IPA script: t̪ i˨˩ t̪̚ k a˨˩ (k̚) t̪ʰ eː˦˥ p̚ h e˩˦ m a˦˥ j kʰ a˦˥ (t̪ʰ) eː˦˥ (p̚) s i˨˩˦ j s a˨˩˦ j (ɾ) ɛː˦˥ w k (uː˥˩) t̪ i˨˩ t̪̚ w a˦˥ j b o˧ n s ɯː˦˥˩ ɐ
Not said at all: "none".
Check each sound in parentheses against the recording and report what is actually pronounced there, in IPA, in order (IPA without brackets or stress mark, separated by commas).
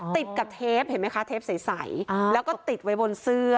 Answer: p̚, t̪ʰ, p̚, l, ɔː˥˩